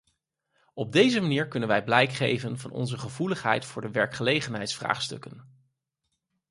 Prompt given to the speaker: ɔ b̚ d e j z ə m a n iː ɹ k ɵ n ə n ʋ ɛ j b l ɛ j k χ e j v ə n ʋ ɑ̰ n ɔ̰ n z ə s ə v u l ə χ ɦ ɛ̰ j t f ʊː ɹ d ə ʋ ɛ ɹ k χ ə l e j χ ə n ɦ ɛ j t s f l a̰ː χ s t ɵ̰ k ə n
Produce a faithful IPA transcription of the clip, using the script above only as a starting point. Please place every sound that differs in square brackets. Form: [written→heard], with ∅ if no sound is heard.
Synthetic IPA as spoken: ɔ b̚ d e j z ə m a n iː ɹ k ɵ n ə n ʋ ɛ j b l ɛ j k χ e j v ə n [ʋ→v] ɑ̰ n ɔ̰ n z ə [s→χ] ə v u l ə χ ɦ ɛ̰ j t f ʊː ɹ d ə ʋ ɛ ɹ k χ ə l e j χ ə n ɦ ɛ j t s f [l→r] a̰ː χ s t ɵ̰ k ə n